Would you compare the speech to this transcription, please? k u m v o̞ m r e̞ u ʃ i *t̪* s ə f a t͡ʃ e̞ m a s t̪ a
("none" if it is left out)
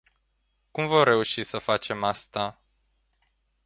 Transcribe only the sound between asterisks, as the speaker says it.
none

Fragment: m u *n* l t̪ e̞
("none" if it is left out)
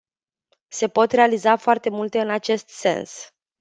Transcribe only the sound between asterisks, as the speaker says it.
none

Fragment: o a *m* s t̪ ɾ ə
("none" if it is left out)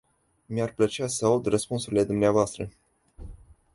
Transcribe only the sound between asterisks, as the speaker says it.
none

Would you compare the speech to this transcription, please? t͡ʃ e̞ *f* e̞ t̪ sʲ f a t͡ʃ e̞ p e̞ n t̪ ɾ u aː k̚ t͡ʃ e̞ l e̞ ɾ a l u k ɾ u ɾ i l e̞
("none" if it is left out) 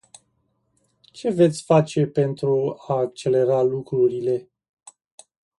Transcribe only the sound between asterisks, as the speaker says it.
v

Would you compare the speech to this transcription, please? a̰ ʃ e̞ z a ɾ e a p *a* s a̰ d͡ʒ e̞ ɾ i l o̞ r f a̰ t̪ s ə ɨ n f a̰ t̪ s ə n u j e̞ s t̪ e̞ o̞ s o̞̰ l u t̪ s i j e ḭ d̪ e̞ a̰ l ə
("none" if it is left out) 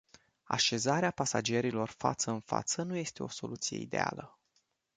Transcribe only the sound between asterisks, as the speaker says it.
a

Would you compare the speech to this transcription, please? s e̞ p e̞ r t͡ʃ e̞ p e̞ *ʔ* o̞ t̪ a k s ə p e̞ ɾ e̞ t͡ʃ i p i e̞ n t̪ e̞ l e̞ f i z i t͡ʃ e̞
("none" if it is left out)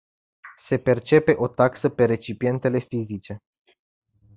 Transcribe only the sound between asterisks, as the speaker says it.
ʔ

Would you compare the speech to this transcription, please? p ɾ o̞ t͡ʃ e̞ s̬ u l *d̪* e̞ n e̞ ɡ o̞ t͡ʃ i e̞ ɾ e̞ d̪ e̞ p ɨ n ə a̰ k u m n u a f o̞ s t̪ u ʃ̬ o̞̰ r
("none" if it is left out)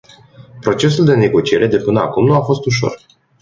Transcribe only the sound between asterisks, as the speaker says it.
d̪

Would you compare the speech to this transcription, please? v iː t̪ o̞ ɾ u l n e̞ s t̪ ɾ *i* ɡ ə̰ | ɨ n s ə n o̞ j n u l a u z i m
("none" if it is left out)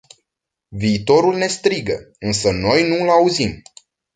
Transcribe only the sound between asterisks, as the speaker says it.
i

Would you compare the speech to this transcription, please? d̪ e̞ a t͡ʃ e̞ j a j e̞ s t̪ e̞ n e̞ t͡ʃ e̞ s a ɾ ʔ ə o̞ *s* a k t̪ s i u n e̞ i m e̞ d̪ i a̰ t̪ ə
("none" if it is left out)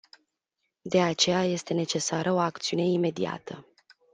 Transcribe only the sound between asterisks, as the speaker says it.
none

